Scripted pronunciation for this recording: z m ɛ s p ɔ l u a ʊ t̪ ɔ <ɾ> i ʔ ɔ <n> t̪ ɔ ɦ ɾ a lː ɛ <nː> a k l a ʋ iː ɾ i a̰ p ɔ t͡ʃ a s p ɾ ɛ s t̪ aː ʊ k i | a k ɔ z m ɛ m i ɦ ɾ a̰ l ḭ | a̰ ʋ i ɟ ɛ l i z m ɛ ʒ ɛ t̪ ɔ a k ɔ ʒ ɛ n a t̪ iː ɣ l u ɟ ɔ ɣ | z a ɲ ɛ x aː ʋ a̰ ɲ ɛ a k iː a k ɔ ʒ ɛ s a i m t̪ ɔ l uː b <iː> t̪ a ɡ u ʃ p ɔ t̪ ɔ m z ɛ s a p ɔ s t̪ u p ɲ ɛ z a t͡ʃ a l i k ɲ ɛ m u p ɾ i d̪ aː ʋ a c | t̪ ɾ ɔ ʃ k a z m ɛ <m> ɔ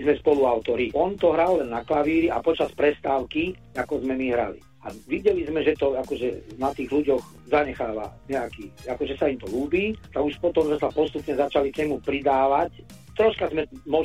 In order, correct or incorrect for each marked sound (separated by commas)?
correct, correct, correct, correct, correct